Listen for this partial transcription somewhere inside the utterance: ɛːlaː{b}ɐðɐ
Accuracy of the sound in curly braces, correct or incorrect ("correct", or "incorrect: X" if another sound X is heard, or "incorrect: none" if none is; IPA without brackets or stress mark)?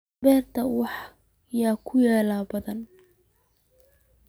correct